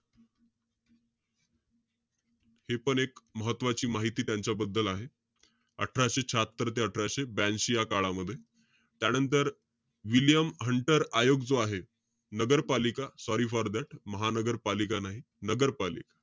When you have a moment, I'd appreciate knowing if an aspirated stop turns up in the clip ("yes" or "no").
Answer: yes